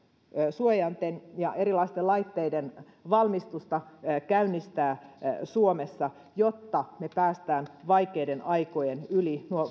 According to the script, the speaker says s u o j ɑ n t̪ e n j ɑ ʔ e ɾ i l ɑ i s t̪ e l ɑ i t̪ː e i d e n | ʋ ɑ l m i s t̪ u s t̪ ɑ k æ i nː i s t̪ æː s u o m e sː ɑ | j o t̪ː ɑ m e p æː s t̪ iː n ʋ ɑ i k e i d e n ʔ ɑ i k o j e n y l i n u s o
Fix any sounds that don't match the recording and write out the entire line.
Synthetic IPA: s u o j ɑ n t̪ e n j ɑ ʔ e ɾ i l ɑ i s t̪ e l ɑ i t̪ː e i d e n | ʋ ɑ l m i s t̪ u s t̪ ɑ k æ y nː i s t̪ æː s u o m e sː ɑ | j o t̪ː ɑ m e p æː s t̪ æː n ʋ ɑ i k e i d e n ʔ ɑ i k o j e n y l i n u o

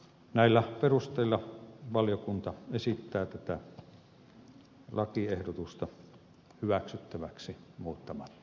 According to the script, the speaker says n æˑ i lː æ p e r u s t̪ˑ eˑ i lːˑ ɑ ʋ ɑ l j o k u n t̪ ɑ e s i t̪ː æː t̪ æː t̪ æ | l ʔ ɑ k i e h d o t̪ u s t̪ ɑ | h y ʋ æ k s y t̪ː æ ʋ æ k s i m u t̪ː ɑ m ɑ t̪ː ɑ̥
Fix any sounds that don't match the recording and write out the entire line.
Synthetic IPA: n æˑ i lː æ p e r u s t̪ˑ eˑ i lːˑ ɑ ʋ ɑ l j o k u n t̪ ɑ e s i t̪ː æː t̪ æ t̪ æ | l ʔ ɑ k i e h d o t̪ u s t̪ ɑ | h y ʋ æ k s y t̪ː æ ʋ æ k s i m uː t̪ː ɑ m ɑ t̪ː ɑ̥

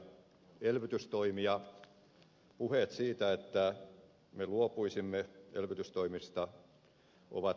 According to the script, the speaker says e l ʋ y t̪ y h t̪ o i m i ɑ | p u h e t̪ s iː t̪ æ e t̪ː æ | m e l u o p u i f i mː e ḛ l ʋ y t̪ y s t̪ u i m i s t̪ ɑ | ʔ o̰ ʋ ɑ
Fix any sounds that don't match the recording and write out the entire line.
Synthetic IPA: e l ʋ y t̪ y s t̪ o i m i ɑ | p u h e t̪ s iː t̪ æ e t̪ː æ | m e l u o p u i s i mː e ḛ l ʋ y t̪ y s t̪ o i m i s t̪ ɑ | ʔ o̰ ʋ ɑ

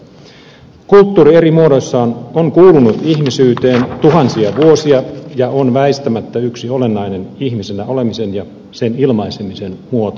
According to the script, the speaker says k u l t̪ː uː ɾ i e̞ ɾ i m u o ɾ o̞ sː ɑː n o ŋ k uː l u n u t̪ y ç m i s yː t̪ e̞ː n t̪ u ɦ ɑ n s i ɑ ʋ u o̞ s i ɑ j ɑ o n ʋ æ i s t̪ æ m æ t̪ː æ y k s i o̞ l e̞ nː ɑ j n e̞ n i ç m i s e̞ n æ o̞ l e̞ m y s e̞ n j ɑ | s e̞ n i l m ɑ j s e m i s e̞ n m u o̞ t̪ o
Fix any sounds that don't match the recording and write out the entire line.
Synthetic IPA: k u l t̪ː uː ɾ i e̞ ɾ i m u o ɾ o̞ sː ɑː n o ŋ k uː l u n u t̪ i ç m i s yː t̪ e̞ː n t̪ u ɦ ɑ n s i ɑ ʋ u o̞ s i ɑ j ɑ o n ʋ æ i s t̪ æ m æ t̪ː æ y k s i o̞ l e̞ nː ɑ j n e̞ n i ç m i s e̞ n æ o̞ l e̞ m i s e̞ n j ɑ | s e̞ n i l m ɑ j s e m i s e̞ n m u o̞ t̪ o

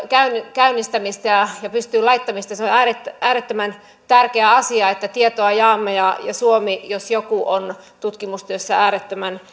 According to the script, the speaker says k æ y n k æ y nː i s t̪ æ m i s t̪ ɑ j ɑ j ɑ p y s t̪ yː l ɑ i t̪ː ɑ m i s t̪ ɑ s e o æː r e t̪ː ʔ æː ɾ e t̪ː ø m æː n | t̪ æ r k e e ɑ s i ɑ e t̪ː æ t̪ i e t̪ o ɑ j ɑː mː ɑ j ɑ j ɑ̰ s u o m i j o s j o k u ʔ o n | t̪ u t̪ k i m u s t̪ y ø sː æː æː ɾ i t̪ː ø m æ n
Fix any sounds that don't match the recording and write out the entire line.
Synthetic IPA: k æ y n k æ y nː i s t̪ æ m i s t̪ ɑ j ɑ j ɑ p y s t̪ yː l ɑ i t̪ː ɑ m i s t̪ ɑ s e o æː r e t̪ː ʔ æː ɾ e t̪ː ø m æ n | t̪ æ r k e æ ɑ s i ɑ e t̪ː æ t̪ i e t̪ o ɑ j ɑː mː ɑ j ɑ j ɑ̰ s u o m i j o s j o k u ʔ o n | t̪ u t̪ k i m u s t̪ y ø sː æ æː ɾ e t̪ː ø m æ n

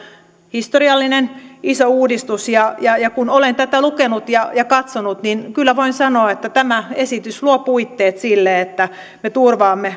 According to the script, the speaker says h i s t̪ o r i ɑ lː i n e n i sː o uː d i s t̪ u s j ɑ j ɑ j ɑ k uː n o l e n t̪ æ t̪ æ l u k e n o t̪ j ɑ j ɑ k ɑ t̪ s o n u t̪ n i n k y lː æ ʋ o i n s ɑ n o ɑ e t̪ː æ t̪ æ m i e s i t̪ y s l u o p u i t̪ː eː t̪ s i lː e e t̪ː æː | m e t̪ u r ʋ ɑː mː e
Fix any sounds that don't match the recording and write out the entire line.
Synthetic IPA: h i s t̪ o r i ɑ lː i n e n i s o uː d i s t̪ u s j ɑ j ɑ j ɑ k u n o l e n t̪ æ t̪ æ l u k e n u t̪ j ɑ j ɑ k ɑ t̪ s o n u t̪ n i n k y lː æ ʋ o i n s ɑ n o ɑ e t̪ː æ t̪ æ m æ e s i t̪ y s l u o p u i t̪ː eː t̪ s i lː e e t̪ː æ | m e t̪ u r ʋ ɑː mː e

